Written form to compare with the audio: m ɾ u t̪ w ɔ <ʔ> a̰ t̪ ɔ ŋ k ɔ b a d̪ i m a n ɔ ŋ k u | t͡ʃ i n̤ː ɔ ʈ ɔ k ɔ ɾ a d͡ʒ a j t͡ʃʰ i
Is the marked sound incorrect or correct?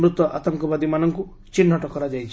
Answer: correct